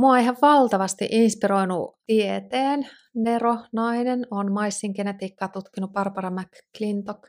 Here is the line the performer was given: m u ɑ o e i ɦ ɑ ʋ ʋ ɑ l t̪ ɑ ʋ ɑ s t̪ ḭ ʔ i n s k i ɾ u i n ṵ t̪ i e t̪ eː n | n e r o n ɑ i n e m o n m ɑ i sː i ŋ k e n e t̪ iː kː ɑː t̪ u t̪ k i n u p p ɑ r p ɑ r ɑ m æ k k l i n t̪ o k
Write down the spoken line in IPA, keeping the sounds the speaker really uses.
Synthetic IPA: m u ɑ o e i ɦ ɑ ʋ ʋ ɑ l t̪ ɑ ʋ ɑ s t̪ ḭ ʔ i n s p i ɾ o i n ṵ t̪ i e t̪ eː n | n e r o n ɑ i n e n o n m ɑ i sː i ŋ k e n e t̪ iː kː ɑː t̪ u t̪ k i n u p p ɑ r p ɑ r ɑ m æ k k l i n t̪ o k